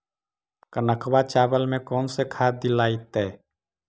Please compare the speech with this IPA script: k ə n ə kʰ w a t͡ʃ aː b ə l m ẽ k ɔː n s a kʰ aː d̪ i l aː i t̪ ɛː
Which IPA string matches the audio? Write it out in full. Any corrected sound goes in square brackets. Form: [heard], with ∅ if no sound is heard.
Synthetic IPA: k ə n ə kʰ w a t͡ʃ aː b ə l m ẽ k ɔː n s [e] kʰ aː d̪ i l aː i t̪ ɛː

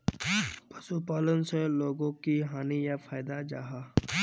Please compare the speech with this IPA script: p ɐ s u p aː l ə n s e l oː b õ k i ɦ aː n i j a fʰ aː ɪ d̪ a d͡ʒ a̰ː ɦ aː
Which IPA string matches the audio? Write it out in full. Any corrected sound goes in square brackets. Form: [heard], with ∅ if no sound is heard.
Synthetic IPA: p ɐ s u p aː l ə n s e l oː [ɡ] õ k i ɦ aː n i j a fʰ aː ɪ d̪ a d͡ʒ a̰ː ɦ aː

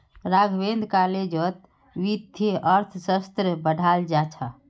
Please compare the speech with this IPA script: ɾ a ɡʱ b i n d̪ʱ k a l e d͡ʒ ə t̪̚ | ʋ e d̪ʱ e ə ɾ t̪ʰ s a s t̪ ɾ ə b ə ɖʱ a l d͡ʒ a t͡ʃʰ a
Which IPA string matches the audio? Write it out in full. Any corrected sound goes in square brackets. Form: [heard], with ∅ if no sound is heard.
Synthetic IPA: ɾ a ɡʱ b [e] n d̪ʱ k a l e d͡ʒ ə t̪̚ | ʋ [i] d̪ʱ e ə ɾ t̪ʰ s [ə] s t̪ ɾ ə b ə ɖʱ a l d͡ʒ a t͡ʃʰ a

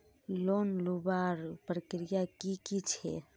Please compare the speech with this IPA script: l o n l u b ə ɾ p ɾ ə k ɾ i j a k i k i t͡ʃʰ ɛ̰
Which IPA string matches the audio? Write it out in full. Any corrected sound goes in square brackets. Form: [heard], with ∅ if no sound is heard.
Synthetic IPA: l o n l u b [a] ɾ p ɾ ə k ɾ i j a k i k i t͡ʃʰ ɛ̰

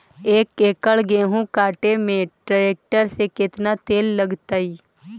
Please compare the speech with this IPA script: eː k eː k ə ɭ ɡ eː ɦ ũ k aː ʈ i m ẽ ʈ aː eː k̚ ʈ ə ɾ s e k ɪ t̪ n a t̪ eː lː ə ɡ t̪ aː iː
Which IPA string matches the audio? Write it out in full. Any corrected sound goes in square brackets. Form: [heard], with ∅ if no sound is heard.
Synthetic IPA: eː k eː k ə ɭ ɡ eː ɦ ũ k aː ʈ [e] m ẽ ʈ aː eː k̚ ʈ ə ɾ s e k ɪ t̪ n a t̪ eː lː ə ɡ t̪ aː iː

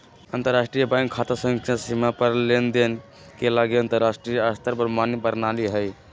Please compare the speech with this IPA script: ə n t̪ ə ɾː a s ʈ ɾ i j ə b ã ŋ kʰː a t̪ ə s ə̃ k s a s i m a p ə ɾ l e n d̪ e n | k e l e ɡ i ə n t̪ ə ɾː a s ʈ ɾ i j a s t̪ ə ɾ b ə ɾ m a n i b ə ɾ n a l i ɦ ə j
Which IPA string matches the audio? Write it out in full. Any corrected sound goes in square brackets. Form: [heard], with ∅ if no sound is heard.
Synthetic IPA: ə n t̪ ə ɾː a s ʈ ɾ i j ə b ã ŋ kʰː a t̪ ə s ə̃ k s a s i m a p ə ɾ l e n d̪ e n | k e l [a] ɡ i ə n t̪ ə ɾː a s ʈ ɾ i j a s t̪ ə ɾ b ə ɾ m a n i b ə ɾ n a l i ɦ ə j

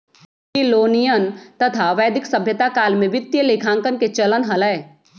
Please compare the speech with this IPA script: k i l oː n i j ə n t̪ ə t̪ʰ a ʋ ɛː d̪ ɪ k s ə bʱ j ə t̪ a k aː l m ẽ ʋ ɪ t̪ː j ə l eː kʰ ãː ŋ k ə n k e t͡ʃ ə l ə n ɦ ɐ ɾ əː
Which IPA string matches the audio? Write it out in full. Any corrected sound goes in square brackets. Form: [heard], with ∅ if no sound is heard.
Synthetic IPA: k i l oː n i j ə n t̪ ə t̪ʰ a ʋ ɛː d̪ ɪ k s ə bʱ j ə t̪ a k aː l m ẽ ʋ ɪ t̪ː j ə l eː kʰ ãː ŋ k ə n k e t͡ʃ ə l ə n ɦ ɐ [l] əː

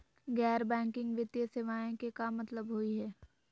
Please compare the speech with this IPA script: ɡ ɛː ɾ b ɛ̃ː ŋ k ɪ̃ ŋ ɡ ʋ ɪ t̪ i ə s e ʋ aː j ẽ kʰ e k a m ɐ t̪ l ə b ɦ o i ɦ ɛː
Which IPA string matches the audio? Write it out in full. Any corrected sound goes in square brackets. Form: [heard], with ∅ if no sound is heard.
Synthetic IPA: ɡ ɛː ɾ b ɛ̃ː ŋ k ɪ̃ ŋ ɡ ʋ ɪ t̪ [j] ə s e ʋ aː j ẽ [k] e k a m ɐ t̪ l ə b ɦ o i ɦ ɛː

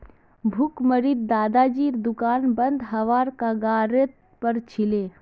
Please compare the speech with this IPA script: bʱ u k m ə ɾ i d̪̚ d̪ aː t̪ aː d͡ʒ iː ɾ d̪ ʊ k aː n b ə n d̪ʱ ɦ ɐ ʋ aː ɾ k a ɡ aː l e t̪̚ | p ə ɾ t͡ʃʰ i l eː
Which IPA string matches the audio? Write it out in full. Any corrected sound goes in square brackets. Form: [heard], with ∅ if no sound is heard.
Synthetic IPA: bʱ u k m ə ɾ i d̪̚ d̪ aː [d̪] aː d͡ʒ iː ɾ d̪ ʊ k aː n b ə n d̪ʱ ɦ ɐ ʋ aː ɾ k a ɡ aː [ɾ] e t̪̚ | p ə ɾ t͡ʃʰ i l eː

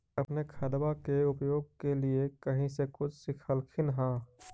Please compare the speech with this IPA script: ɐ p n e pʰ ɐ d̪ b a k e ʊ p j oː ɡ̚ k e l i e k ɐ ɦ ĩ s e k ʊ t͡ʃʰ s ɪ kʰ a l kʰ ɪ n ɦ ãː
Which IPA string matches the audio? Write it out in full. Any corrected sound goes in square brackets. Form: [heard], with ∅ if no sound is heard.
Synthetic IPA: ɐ p n e [kʰ] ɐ d̪ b a k e ʊ p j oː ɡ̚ k e l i e k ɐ ɦ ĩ s e k ʊ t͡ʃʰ s ɪ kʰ [ə] l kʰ ɪ n ɦ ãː

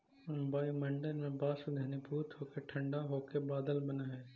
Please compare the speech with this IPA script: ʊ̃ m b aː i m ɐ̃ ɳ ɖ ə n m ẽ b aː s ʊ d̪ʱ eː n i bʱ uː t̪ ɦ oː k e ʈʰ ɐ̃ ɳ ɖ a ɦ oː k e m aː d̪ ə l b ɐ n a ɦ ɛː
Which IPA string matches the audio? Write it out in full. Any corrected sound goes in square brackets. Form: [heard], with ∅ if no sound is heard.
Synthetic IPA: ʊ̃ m b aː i m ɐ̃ ɳ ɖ ə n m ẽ b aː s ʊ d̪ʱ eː n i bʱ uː t̪ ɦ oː k e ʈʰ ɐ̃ ɳ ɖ a ɦ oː k e [b] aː d̪ ə l b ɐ n a ɦ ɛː

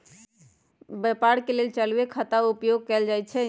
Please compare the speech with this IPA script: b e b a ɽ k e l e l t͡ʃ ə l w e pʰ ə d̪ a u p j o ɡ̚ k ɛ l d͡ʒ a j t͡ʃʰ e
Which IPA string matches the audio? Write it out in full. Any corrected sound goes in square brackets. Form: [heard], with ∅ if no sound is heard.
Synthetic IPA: b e [p] a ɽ k e l e l t͡ʃ ə l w e [kʰ] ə [t̪] a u p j o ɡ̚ k ɛ l d͡ʒ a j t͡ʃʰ [ɛ]

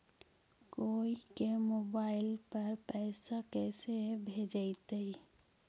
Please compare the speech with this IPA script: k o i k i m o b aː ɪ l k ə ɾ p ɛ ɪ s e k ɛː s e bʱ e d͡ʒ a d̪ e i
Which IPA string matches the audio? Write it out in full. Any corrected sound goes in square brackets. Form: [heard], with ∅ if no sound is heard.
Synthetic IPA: k o i k [e] m o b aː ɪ l [p] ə ɾ p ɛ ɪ s [a] k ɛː s e bʱ e d͡ʒ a [t̪] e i

